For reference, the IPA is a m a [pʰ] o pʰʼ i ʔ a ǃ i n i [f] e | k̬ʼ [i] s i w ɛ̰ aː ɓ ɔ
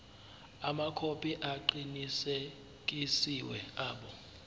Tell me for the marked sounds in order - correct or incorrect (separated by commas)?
incorrect, incorrect, correct